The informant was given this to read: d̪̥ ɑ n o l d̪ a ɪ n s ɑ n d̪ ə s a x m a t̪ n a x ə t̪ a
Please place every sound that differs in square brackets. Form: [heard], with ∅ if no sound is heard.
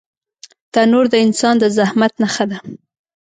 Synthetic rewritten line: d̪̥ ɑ n o [ɾ] d̪ [ə] ɪ n s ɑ n d̪ ə [z] a [h] m a t̪ n a x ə [d̪] a